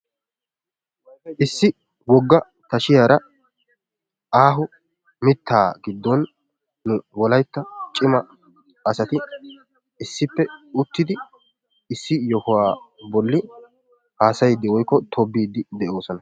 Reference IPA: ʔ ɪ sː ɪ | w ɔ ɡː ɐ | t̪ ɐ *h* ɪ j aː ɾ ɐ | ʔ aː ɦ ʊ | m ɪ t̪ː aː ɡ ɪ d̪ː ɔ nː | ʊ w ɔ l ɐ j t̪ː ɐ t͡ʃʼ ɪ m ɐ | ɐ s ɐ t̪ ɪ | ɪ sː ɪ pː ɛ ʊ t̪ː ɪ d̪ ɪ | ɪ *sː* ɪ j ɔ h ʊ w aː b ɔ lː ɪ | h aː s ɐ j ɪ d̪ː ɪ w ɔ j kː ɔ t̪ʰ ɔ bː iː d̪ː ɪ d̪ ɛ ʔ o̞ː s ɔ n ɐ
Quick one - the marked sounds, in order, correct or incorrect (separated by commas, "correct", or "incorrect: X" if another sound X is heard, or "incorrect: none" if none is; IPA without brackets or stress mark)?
incorrect: ʃ, correct